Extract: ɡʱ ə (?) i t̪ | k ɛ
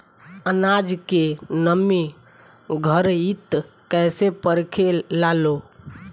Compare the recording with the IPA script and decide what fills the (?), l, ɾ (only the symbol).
ɾ